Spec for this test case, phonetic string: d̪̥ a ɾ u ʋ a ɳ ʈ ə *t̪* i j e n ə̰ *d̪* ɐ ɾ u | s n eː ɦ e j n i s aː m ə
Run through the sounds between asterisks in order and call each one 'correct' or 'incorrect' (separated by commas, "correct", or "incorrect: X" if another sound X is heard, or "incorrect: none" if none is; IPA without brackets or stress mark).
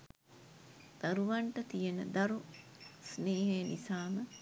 correct, correct